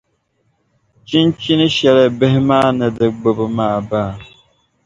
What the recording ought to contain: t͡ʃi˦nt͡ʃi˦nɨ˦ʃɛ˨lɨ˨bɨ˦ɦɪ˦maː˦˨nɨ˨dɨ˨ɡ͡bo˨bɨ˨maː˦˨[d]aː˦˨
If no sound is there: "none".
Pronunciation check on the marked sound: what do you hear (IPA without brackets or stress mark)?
b